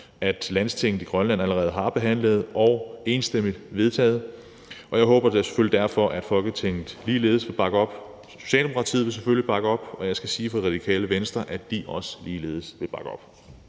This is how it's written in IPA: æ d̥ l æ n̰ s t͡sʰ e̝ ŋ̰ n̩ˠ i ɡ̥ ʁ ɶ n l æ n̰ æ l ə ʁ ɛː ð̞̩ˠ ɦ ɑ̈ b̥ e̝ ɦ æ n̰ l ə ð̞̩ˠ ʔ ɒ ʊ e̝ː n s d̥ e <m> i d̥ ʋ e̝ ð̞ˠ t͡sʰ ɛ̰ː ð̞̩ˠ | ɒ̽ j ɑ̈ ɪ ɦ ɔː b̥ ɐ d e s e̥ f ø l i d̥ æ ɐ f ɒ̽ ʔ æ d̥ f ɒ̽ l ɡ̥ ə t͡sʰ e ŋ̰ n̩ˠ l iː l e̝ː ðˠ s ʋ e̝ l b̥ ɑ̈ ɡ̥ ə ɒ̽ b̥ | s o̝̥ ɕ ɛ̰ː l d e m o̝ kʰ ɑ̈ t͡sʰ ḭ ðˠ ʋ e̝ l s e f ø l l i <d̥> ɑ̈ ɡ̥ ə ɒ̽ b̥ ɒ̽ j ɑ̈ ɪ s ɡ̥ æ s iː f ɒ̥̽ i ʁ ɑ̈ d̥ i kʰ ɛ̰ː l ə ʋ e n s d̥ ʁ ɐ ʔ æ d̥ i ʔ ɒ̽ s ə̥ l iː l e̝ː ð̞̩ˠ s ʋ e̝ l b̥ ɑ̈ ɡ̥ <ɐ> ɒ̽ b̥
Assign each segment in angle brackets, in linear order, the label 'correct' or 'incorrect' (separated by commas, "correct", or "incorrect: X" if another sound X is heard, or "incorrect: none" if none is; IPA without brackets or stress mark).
correct, incorrect: b̥, incorrect: ə